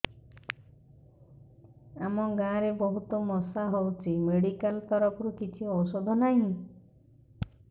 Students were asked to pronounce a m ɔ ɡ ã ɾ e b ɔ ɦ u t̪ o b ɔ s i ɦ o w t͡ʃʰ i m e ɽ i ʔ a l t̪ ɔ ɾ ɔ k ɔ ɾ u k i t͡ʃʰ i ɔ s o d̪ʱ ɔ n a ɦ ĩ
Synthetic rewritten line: a m ɔ ɡ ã ɾ e b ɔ ɦ u t̪ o m ɔ s a ɦ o w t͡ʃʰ i m e ɽ i k a l t̪ ɔ ɾ ɔ k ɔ ɾ u k i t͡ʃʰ i ɔ s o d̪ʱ ɔ n a ɦ ĩ